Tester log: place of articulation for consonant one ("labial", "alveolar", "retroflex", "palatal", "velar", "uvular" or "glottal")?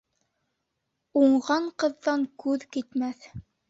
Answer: uvular